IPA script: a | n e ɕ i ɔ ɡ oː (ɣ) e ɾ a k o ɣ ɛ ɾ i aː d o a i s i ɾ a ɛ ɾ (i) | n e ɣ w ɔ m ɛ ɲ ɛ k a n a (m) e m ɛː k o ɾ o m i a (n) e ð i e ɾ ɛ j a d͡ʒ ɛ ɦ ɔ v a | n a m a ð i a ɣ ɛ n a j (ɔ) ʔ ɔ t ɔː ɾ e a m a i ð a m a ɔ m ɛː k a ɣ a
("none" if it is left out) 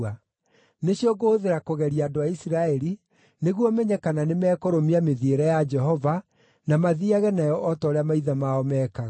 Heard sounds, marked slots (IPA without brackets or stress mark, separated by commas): ð, i, n, m, ɔ